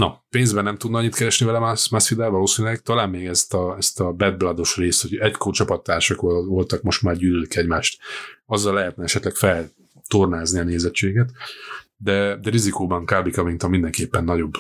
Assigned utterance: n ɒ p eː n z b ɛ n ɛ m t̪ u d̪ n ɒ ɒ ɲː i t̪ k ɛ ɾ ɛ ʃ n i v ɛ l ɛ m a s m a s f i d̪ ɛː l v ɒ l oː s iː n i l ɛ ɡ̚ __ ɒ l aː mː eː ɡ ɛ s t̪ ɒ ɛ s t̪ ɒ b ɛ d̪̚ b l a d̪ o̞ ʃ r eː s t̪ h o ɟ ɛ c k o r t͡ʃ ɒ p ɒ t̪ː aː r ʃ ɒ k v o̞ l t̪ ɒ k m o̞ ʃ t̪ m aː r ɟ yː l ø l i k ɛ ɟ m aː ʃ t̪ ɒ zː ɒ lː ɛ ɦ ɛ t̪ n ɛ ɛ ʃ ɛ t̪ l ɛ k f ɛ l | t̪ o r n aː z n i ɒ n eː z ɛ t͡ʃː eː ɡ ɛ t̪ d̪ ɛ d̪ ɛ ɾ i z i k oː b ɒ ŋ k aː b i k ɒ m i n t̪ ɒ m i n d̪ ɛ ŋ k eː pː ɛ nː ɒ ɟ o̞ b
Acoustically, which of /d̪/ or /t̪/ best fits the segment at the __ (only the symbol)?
t̪